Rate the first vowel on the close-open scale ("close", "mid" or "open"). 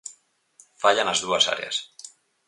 open